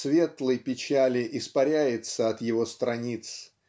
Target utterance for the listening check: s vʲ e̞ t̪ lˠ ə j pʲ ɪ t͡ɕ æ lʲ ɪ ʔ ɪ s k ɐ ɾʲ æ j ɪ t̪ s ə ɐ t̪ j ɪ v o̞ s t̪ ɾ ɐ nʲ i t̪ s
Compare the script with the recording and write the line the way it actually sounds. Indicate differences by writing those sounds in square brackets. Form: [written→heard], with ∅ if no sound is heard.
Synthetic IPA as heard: s vʲ e̞ t̪ lˠ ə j pʲ ɪ t͡ɕ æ lʲ ɪ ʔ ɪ s [k→p] ɐ ɾʲ æ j ɪ t̪ s ə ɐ t̪ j ɪ v o̞ s t̪ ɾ ɐ nʲ i t̪ s